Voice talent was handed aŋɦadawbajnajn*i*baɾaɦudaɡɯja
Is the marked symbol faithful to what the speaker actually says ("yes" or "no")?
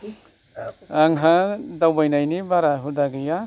yes